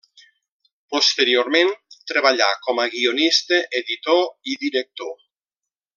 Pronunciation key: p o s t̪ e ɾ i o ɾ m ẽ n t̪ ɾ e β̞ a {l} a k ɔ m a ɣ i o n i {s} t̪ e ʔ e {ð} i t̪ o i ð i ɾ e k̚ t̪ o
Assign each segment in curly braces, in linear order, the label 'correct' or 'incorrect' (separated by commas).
incorrect, correct, correct